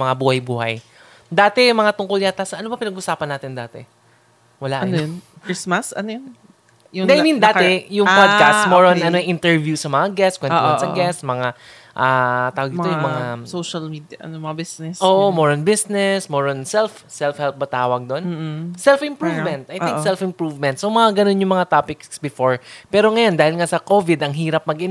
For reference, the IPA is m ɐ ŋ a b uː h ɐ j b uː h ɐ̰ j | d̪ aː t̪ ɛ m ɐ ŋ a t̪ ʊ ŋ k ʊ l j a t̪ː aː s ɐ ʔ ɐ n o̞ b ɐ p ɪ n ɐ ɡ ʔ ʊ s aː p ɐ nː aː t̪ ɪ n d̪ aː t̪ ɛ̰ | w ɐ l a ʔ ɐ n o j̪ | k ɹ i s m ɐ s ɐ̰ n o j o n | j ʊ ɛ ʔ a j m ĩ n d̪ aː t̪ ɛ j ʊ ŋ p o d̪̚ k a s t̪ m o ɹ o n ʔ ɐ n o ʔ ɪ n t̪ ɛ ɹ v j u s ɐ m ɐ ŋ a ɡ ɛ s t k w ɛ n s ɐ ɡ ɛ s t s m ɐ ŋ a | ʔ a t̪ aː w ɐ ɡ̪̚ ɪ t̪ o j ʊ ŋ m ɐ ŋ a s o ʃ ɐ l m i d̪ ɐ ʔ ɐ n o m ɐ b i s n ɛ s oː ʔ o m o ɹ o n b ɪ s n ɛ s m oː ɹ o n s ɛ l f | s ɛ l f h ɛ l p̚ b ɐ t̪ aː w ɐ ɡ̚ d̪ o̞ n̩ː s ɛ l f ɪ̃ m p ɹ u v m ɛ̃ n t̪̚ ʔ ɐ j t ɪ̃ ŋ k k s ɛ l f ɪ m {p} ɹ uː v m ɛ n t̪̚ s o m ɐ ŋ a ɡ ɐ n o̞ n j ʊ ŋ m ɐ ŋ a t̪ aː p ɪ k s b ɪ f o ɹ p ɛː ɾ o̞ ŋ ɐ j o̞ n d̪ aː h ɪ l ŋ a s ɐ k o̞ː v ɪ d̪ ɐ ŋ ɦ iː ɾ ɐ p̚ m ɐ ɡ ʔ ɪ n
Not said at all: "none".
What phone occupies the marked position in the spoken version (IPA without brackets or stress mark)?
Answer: p